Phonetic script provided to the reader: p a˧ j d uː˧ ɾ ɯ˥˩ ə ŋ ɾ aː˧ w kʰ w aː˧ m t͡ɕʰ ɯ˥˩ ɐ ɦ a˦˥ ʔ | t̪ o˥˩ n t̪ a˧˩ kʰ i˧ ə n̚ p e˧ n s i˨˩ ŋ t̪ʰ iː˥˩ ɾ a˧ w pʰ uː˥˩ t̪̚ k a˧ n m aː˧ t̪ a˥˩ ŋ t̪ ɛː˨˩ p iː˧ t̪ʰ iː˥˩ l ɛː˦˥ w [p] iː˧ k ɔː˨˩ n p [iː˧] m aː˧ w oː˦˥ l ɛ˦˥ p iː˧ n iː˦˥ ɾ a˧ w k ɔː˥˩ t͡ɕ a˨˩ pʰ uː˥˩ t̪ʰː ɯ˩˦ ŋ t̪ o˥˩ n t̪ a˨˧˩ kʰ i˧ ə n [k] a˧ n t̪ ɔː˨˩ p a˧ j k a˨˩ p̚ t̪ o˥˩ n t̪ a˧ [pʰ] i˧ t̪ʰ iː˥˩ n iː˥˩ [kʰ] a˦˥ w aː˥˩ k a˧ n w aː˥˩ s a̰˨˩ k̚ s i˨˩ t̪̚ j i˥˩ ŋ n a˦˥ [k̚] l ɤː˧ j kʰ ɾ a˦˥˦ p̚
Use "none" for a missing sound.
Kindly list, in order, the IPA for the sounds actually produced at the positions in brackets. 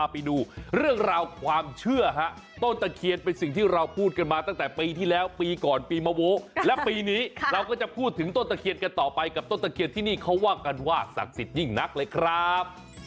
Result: p, iː˧, k, kʰ, kʰ, k̚

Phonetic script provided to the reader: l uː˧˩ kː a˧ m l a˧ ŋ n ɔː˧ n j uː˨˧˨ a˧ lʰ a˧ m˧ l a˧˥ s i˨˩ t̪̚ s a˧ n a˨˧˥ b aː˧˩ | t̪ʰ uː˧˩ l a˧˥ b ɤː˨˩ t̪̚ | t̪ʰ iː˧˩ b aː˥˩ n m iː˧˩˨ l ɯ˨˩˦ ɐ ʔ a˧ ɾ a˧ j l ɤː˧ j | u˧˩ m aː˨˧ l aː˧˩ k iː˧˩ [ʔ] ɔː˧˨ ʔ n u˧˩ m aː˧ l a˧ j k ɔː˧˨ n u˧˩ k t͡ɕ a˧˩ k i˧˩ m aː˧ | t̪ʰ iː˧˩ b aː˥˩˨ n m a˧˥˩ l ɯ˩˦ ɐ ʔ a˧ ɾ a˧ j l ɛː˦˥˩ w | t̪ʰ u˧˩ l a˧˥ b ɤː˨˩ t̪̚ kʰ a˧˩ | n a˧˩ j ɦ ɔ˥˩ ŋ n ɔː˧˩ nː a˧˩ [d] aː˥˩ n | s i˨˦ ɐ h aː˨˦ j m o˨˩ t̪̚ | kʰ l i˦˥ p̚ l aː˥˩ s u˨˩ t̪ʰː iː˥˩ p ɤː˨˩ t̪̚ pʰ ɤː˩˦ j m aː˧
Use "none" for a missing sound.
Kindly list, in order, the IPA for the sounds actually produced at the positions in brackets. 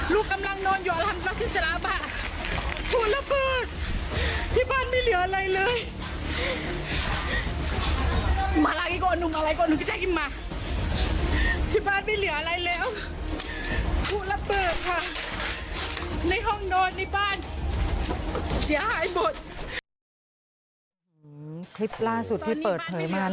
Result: k, b

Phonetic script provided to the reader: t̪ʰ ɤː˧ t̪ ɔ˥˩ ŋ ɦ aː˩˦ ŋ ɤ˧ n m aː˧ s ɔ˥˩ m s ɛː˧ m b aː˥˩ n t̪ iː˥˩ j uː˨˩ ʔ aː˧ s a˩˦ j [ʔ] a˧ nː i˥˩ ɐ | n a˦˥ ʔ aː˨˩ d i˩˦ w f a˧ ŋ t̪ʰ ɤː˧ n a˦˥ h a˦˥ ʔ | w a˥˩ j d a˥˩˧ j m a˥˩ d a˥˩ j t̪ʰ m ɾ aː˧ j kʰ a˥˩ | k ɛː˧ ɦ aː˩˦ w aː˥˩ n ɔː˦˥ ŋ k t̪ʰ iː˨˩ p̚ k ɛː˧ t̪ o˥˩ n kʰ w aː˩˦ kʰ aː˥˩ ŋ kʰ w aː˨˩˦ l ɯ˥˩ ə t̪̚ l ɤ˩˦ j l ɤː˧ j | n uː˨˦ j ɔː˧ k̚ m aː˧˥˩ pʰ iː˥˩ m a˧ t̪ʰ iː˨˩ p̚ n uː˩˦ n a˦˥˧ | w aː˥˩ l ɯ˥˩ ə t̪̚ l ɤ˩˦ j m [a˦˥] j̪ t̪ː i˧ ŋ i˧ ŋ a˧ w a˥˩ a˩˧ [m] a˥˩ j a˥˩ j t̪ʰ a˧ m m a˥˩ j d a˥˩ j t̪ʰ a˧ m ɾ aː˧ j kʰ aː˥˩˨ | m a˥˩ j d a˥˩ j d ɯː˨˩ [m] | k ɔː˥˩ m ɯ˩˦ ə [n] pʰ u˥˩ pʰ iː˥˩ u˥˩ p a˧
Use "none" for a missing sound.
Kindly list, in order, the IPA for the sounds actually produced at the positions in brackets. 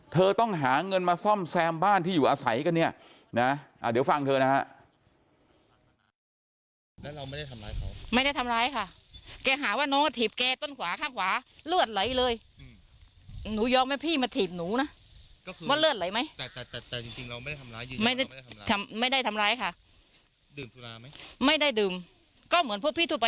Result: k, a˦˥, m, m, n

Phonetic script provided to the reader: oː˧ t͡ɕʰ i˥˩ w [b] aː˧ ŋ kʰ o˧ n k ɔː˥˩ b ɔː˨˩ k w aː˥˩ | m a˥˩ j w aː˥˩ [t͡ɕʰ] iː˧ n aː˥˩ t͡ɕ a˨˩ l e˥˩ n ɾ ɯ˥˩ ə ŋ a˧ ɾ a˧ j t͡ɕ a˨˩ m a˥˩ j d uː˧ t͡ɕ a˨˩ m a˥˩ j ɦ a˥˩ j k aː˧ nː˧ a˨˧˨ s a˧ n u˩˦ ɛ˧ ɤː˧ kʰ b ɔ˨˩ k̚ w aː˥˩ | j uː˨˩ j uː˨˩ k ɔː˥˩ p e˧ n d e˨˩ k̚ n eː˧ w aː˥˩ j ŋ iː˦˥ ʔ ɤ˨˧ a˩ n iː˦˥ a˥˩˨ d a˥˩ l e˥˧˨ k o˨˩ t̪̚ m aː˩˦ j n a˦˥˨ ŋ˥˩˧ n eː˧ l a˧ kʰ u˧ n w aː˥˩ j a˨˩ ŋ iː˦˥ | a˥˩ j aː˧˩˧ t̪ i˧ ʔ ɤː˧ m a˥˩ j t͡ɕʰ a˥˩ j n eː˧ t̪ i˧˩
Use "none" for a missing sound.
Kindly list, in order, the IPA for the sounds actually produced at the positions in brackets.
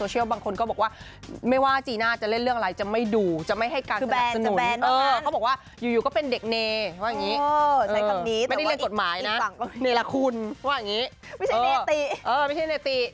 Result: b, t͡ɕ

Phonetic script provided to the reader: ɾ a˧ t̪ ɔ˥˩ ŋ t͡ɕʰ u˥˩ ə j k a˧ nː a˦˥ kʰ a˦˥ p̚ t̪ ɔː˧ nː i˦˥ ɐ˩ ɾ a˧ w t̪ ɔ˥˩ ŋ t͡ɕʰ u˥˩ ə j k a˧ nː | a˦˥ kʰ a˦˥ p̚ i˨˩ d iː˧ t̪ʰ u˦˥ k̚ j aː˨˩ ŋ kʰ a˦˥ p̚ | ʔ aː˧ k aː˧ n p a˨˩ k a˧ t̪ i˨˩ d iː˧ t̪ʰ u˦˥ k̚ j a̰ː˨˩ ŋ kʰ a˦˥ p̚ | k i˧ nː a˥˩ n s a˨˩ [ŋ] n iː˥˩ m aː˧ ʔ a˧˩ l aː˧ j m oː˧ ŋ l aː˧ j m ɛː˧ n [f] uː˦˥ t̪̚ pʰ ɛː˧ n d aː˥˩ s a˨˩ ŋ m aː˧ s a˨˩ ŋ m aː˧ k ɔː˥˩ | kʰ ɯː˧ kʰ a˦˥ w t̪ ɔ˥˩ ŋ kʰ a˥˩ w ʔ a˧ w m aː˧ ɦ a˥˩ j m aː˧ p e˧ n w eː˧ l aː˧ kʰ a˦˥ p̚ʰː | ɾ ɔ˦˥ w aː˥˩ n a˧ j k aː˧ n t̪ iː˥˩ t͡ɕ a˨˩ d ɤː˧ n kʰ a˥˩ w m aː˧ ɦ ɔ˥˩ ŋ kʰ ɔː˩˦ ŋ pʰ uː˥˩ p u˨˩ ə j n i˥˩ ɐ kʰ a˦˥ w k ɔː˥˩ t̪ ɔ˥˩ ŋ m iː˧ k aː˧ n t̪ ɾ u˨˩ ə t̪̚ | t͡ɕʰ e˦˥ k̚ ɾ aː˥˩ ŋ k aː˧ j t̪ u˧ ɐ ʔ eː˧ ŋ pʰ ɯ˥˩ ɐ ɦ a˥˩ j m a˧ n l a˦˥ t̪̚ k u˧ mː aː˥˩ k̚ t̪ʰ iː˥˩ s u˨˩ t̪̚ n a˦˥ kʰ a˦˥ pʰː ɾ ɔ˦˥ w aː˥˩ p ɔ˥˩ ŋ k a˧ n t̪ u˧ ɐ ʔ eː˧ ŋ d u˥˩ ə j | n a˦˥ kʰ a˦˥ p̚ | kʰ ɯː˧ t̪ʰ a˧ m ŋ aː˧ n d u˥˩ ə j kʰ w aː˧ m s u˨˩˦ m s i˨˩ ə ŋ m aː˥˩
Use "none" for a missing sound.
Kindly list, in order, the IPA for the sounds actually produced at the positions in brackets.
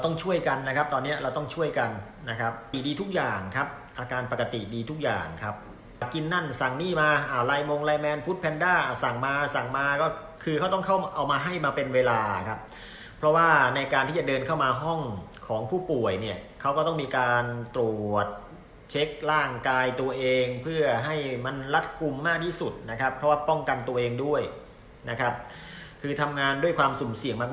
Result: ŋ, f

